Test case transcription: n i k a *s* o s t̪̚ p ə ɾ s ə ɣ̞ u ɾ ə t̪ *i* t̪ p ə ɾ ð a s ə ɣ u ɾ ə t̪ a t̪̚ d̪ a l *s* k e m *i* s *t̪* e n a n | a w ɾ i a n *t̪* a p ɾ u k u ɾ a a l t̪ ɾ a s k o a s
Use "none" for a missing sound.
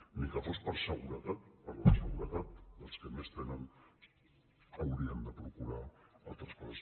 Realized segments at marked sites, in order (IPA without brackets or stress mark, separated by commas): f, a, s, e, t̪, d̪